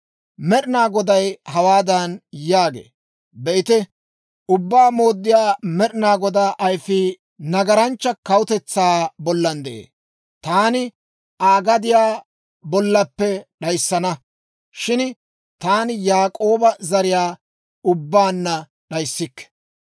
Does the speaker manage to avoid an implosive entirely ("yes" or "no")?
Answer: no